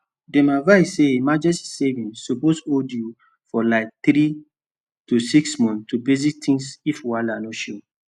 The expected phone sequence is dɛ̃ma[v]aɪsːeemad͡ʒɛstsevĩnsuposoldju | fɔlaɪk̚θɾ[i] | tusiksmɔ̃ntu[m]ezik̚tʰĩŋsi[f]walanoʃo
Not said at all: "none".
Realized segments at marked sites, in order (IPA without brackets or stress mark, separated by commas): v, i, b, f